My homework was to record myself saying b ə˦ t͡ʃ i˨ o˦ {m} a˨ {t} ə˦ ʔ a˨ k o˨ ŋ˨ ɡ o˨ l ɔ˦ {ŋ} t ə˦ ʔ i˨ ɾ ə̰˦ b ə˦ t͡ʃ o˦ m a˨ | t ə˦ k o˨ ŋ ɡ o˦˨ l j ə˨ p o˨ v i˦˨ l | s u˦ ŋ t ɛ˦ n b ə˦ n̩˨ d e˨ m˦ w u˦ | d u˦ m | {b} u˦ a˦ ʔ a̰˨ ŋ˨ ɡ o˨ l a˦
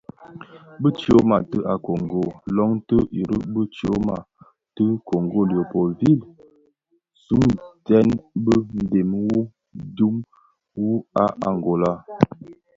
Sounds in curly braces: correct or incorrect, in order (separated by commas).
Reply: correct, correct, correct, incorrect